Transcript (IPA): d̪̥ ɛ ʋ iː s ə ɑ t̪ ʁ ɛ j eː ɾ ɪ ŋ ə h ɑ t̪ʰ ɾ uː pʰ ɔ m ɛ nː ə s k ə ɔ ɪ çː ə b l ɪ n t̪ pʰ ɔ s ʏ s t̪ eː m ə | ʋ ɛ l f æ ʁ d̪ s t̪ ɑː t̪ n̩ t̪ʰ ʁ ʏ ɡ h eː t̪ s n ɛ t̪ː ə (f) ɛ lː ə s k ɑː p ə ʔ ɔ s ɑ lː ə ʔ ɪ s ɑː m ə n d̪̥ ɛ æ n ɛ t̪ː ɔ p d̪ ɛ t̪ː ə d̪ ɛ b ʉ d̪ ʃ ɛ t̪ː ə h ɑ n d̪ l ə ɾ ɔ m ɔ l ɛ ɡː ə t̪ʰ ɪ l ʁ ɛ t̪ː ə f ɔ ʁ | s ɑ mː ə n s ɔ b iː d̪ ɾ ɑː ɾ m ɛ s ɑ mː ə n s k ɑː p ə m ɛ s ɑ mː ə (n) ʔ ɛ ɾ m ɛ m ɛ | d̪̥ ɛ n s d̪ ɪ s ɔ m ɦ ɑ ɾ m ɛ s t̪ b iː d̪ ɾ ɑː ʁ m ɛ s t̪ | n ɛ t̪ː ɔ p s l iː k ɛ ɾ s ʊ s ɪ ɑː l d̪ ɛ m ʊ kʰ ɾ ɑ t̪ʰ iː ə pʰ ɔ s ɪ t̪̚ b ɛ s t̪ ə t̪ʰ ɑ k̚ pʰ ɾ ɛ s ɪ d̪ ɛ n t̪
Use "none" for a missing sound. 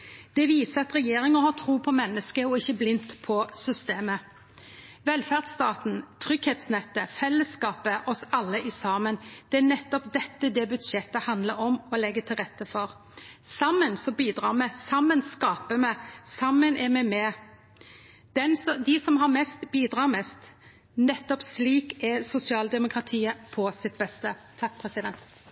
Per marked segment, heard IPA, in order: f, n

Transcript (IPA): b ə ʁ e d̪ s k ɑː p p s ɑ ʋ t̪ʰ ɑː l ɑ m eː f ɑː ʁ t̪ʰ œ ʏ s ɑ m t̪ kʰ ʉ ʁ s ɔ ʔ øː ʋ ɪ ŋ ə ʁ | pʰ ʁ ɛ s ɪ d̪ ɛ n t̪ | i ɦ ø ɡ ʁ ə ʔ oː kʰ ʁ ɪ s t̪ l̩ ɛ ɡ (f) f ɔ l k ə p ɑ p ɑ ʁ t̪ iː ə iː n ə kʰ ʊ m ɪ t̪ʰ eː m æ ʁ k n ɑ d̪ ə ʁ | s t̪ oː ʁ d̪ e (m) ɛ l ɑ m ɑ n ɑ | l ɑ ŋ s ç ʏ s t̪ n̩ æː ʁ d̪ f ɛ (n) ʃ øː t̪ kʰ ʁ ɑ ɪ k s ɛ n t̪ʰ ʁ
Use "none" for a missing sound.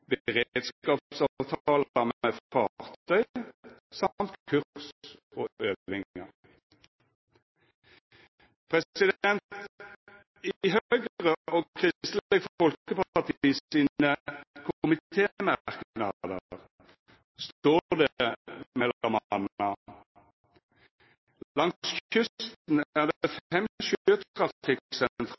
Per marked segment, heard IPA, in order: f, m, m

